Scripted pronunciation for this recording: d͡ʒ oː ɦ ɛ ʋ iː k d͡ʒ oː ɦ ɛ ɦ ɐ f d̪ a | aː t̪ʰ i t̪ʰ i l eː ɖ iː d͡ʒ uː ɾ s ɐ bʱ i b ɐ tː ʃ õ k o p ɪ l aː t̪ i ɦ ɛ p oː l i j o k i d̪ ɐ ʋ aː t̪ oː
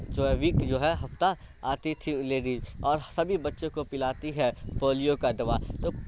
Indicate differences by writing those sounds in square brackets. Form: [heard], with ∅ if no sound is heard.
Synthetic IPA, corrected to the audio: d͡ʒ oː ɦ ɛ ʋ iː k d͡ʒ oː ɦ ɛ ɦ ɐ f [t̪] a | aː [t̪] i t̪ʰ i l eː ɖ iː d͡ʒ [ɔː] ɾ s ɐ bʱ i b ɐ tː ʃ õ k o p ɪ l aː t̪ i ɦ ɛ p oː l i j o k [a] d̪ ɐ ʋ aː t̪ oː